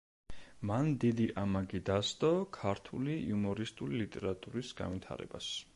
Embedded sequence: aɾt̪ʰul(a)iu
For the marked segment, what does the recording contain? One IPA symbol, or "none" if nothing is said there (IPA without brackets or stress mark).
i